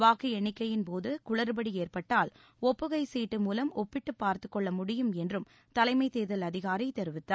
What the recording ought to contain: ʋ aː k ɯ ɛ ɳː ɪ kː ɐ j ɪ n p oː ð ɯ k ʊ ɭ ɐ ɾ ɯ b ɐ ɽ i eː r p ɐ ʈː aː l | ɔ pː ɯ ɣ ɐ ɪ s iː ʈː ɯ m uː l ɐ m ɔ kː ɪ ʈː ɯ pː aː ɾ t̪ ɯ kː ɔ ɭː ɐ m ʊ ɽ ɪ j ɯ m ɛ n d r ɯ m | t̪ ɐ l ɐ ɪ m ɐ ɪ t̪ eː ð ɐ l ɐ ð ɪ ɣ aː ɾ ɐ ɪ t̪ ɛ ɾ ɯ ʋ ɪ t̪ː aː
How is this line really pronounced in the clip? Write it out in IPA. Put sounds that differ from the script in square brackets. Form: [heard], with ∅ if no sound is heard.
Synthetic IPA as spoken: ʋ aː k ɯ ɛ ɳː ɪ kː ɐ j ɪ n p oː ð ɯ k ʊ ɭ ɐ ɾ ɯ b ɐ ɽ i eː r p ɐ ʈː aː l | ɔ pː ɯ ɣ ɐ ɪ s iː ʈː ɯ m uː l ɐ m ɔ [pː] ɪ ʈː ɯ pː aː ɾ t̪ ɯ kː ɔ ɭː ɐ m ʊ ɽ ɪ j ɯ m ɛ n d r ɯ m | t̪ ɐ l ɐ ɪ m ɐ ɪ t̪ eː ð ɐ l ɐ ð ɪ ɣ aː ɾ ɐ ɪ t̪ ɛ ɾ ɯ ʋ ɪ t̪ː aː